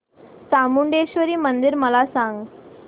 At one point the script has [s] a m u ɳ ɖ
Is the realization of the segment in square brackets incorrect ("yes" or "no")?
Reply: no